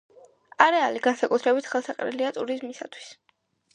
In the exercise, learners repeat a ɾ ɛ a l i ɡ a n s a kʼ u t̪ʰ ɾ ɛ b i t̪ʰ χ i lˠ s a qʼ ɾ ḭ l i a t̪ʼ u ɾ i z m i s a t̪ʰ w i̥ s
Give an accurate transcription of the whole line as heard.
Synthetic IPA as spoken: a ɾ ɛ a l i ɡ a n s a kʼ u t̪ʰ ɾ ɛ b i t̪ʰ χ ɛ lˠ s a qʼ ɾ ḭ l i a t̪ʼ u ɾ i z m i s a t̪ʰ w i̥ s